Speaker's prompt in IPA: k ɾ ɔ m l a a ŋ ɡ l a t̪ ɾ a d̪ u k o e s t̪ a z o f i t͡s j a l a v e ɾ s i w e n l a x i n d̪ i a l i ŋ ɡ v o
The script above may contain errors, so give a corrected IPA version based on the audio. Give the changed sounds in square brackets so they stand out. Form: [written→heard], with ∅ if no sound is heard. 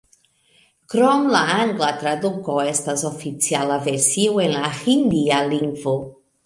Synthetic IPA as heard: k ɾ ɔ m l a a ŋ ɡ l a t̪ ɾ a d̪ u k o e s t̪ a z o f i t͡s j a l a v e ɾ s i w e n l a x i n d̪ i a l i ŋ ɡ v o